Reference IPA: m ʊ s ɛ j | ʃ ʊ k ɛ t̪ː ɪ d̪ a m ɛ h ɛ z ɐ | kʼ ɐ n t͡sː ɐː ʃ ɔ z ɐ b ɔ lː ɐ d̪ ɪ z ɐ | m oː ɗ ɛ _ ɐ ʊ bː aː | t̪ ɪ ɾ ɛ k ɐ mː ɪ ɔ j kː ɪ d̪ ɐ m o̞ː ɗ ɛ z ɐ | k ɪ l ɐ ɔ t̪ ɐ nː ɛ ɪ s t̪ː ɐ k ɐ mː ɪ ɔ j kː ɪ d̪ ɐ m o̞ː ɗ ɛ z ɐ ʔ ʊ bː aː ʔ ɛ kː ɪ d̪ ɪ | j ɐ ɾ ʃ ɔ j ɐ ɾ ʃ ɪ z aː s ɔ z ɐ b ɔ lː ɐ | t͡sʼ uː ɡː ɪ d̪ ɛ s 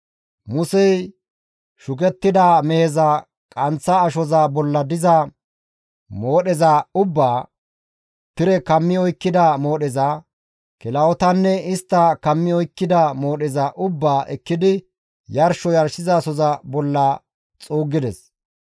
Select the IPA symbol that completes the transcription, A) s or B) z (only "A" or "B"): B